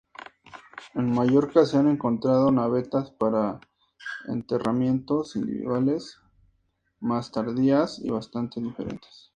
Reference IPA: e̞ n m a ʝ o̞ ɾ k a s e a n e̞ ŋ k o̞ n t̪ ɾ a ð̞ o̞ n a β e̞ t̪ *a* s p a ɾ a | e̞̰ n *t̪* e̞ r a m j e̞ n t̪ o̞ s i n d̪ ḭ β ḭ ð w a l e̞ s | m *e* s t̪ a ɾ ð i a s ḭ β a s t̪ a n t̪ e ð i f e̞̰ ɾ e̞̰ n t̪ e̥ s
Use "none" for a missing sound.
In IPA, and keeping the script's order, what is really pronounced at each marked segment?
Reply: a, t̪, a

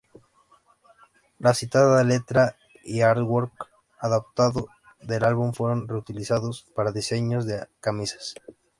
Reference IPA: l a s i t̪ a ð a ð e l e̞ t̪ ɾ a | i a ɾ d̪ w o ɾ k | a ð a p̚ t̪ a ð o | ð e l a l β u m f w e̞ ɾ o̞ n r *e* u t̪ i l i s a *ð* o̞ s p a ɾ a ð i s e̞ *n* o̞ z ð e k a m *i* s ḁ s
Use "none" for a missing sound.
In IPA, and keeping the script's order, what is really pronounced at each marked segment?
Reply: e, ð, ɲ, i

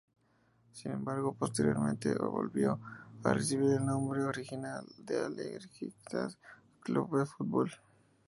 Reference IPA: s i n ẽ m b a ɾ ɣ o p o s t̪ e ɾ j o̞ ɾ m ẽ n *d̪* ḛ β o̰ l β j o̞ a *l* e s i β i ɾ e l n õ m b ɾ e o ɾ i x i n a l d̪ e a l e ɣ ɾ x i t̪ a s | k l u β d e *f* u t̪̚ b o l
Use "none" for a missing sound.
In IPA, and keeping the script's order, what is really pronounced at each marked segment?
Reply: t̪, r, f

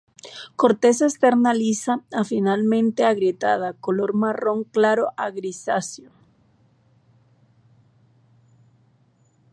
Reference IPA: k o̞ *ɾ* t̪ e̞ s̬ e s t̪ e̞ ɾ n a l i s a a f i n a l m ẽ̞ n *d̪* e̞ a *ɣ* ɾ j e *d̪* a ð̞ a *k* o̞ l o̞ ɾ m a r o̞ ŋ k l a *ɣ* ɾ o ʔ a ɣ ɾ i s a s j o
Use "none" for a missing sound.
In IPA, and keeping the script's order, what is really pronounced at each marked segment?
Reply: ɾ, t̪, ɣ, t̪, k, none

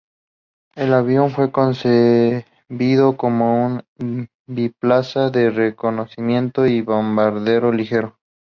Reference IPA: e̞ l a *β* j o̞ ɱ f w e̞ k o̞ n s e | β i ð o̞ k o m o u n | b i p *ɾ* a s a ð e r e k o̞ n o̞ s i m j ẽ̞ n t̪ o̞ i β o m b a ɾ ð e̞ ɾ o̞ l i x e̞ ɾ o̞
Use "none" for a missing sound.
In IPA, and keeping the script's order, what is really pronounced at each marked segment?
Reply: β, l

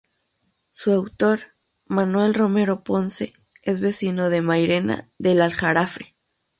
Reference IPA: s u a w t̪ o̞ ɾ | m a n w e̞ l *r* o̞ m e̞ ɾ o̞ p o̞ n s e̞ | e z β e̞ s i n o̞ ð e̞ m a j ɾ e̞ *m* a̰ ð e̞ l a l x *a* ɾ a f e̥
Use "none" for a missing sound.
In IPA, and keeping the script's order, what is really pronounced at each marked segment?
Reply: r, n, a

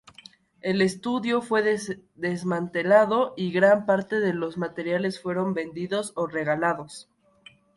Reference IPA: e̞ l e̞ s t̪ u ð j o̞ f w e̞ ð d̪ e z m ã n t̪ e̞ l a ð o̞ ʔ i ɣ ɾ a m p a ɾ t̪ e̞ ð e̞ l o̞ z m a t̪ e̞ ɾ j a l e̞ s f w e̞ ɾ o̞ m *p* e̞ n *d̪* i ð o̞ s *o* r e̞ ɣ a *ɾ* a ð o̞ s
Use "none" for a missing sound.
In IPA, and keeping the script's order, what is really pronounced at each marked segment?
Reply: b, d̪, o, l

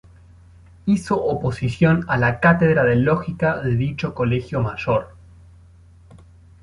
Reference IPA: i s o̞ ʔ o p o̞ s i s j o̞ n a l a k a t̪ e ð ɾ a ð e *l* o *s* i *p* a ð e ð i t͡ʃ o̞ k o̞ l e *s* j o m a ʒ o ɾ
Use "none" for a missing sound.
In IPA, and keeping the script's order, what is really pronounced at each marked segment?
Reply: l, x, k, x

